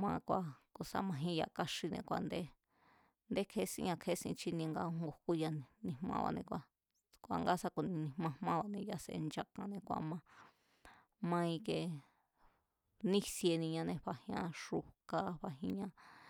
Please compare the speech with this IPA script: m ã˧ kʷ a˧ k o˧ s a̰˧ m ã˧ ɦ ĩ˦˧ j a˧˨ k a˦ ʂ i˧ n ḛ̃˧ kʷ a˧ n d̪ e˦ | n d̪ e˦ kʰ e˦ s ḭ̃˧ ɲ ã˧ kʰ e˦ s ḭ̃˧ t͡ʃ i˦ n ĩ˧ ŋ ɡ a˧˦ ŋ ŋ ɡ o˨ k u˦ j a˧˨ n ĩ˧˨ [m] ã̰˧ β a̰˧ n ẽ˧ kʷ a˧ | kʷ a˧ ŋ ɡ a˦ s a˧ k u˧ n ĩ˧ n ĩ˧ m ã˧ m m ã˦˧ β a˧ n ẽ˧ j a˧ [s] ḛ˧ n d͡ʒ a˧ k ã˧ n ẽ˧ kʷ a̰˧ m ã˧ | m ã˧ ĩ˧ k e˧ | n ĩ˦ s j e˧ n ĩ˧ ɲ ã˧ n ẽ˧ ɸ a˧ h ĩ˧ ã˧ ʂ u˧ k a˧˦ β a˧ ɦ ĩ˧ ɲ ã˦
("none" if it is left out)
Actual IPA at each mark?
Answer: m, s

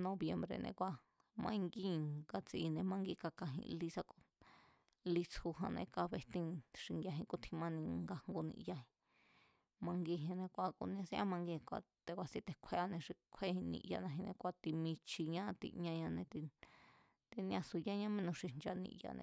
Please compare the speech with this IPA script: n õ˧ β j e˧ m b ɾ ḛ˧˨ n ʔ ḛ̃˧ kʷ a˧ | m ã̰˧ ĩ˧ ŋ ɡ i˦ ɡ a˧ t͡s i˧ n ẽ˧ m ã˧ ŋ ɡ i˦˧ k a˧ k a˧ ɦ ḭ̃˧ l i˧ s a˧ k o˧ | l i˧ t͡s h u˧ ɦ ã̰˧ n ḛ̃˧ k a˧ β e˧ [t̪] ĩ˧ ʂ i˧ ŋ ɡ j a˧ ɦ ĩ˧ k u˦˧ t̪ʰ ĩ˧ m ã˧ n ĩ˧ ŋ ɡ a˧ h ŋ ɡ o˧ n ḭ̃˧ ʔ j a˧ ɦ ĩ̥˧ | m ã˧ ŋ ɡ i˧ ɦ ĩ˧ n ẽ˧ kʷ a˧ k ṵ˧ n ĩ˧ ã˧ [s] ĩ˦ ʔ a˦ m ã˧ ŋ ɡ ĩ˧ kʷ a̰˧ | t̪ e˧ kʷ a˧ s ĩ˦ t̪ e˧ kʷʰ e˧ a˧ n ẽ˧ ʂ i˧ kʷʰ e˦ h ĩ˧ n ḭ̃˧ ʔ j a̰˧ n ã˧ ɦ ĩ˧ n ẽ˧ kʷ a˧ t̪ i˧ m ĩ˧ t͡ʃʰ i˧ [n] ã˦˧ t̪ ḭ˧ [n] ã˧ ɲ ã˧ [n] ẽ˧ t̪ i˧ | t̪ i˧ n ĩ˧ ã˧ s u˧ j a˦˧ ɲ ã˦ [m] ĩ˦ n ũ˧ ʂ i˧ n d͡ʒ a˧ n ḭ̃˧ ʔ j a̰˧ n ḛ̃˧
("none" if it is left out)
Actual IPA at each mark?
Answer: t̪, s, ɲ, ɲ, n, m

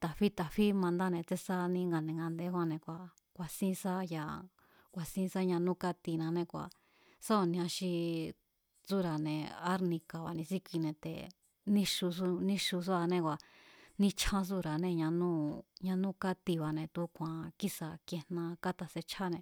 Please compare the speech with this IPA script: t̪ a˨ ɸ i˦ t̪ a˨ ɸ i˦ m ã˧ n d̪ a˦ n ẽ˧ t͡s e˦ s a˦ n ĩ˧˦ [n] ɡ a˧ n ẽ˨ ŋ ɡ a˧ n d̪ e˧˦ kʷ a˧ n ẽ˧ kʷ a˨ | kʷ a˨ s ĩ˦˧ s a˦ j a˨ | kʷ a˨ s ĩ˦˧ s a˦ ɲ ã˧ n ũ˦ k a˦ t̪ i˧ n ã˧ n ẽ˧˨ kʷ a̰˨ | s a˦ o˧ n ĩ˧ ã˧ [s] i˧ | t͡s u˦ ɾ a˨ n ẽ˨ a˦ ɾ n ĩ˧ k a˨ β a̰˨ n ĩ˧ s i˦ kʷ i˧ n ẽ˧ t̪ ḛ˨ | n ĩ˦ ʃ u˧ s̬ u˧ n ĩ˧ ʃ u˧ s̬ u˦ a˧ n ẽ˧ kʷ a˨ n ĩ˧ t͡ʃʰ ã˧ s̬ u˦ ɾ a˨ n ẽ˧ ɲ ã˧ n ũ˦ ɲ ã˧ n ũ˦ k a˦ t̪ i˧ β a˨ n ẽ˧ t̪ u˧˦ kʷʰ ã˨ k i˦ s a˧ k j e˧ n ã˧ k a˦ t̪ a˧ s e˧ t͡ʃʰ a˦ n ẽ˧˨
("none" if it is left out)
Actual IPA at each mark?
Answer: ŋ, ʃ

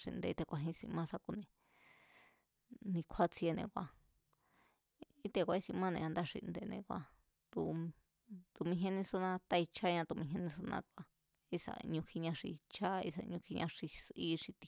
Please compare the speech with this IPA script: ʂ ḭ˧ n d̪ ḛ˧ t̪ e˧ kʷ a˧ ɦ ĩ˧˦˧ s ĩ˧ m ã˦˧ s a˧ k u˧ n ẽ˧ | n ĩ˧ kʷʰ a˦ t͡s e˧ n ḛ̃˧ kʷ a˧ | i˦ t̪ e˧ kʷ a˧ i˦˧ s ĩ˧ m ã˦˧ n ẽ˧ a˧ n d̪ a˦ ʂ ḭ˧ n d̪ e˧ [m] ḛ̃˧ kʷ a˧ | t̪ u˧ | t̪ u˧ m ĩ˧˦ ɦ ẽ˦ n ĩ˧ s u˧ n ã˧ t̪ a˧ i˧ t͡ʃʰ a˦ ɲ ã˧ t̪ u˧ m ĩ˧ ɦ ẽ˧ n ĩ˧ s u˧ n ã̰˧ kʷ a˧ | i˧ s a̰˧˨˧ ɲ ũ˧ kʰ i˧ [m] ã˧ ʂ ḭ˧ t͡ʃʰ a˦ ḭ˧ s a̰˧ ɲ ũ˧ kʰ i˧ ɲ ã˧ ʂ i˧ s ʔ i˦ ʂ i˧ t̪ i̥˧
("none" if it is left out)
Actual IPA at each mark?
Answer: n, ɲ

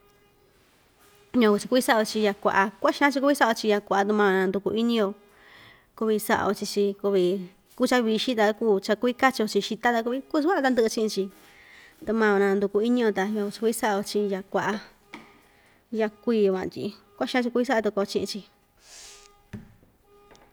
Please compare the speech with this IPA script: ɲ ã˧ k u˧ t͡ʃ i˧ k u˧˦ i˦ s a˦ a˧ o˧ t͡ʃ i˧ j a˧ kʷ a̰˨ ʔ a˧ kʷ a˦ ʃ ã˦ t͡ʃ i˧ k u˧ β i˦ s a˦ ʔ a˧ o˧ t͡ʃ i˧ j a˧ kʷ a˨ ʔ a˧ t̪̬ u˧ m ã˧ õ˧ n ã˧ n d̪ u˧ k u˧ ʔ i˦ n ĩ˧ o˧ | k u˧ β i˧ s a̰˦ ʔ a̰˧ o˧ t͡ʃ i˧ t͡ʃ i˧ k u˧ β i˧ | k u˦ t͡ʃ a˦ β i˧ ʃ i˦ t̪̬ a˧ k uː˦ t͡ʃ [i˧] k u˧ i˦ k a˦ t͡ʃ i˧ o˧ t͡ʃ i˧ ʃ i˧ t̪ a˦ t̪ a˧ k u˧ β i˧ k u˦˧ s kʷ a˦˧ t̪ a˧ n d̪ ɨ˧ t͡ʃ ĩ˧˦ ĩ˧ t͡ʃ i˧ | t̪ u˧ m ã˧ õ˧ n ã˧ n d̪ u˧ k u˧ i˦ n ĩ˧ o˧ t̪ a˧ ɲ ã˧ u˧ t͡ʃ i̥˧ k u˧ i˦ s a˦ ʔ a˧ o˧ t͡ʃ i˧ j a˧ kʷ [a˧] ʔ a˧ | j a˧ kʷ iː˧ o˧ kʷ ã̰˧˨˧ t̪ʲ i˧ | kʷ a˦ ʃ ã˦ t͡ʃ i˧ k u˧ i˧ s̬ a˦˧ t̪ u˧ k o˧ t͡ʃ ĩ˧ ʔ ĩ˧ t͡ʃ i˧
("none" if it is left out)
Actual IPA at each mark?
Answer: a˧, a˧

